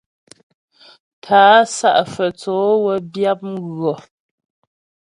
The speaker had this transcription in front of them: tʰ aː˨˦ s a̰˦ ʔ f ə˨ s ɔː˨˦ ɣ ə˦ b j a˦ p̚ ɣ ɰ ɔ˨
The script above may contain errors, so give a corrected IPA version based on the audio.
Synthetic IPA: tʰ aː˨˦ s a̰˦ ʔ f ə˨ t͡s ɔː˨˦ w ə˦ b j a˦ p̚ ɣ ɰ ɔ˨